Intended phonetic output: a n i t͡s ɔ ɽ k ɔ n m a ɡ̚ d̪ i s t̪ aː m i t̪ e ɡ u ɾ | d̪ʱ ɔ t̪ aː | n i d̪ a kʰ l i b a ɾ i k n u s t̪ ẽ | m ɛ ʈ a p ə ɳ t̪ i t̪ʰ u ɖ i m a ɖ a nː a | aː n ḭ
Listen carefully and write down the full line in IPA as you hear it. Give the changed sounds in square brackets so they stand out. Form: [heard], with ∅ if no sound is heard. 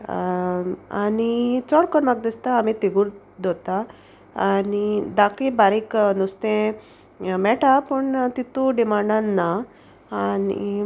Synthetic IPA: a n i t͡s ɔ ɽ k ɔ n m a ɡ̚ d̪ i s t̪ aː m i t̪ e ɡ u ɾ | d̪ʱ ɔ t̪ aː | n i d̪ a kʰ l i b a ɾ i k n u s t̪ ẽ | m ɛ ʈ a p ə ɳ t̪ i [t̪] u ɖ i m a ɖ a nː a | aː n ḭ